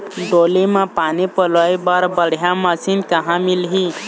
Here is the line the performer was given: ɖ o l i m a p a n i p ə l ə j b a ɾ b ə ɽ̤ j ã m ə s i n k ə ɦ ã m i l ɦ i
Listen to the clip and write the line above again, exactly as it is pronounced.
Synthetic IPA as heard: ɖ o l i m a p a n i p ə l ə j b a ɾ b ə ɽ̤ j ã m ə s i n k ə ɦ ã m i l ɦ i